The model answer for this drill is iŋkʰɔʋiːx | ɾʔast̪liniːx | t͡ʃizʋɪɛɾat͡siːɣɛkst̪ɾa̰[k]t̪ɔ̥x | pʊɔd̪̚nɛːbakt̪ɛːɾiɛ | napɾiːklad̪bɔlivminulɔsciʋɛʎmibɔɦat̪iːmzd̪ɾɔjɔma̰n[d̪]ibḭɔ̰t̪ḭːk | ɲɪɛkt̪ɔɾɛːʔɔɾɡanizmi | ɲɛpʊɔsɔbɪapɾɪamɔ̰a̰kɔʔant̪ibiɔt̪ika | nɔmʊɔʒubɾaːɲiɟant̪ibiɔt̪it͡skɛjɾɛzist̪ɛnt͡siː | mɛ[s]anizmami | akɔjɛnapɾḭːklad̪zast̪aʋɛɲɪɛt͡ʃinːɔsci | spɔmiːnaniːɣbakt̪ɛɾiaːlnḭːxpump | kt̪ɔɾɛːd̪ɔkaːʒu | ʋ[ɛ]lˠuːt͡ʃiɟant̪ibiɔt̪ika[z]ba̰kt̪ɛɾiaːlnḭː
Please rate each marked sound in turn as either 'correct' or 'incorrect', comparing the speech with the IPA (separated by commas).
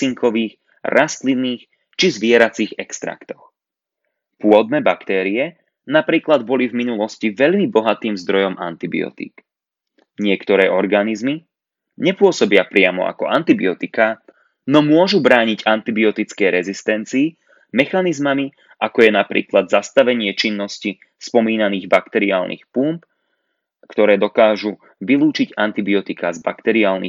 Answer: correct, incorrect, incorrect, incorrect, correct